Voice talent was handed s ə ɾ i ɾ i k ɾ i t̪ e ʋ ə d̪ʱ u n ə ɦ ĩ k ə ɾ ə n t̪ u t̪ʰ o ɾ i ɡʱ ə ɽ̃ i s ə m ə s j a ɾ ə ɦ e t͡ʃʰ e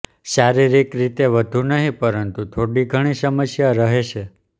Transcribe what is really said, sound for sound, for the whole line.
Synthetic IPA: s a ɾ i ɾ i k ɾ i t̪ e ʋ ə d̪ʱ u n ə ɦ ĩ p ə ɾ ə n t̪ u t̪ʰ o ɽ i ɡʱ ə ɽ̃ i s ə m ə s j a ɾ ə ɦ e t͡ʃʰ e